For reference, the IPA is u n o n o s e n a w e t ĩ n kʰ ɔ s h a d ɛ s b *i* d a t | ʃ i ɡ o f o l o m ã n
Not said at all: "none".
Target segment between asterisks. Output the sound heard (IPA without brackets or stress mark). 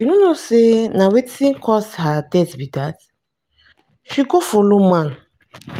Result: i